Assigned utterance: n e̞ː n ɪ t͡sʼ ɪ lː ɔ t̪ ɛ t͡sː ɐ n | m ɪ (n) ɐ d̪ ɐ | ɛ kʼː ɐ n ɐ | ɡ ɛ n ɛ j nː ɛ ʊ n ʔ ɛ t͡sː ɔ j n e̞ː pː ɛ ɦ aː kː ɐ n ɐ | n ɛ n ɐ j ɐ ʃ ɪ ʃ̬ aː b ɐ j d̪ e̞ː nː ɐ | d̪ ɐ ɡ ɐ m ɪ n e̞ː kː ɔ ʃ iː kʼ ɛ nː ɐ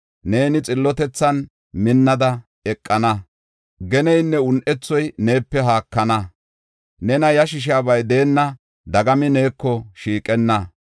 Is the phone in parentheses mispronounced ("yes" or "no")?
yes